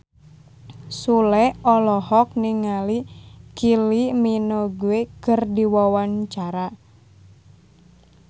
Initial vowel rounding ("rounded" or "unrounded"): rounded